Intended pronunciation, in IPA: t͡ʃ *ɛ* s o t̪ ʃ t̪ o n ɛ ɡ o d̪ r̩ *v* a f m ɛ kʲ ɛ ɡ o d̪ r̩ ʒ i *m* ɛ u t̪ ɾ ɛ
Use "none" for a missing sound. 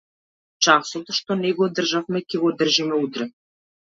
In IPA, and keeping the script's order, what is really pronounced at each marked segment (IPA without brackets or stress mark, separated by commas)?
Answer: a, ʒ, m